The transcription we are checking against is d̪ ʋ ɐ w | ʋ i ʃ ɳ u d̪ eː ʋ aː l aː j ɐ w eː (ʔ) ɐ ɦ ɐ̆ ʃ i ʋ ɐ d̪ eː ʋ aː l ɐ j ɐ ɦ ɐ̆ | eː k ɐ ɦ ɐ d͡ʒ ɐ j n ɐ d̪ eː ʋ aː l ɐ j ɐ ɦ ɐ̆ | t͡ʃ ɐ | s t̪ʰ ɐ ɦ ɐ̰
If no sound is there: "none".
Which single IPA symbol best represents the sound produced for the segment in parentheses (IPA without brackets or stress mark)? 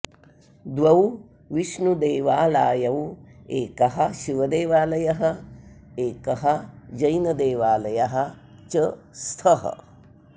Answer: k